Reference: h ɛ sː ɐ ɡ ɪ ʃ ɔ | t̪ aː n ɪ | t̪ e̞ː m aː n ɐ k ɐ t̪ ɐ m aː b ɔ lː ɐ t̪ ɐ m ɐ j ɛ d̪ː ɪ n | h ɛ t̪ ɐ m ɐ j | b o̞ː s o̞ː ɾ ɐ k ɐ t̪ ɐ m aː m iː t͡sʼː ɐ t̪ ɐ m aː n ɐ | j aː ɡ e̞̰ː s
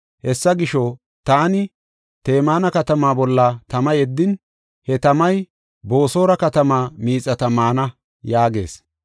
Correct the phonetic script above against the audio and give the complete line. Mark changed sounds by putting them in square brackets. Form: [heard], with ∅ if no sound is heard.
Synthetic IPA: h ɛ sː ɐ ɡ ɪ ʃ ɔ | t̪ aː n ɪ | t̪ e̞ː m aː n ɐ k ɐ t̪ ɐ m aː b ɔ lː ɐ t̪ ɐ m ɐ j ɛ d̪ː ɪ n | h ɛ t̪ ɐ m ɐ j | b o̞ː s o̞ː ɾ ɐ k ɐ t̪ ɐ m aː m iː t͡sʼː ɐ t̪ ɐ m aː n ɐ | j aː ɡ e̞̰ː s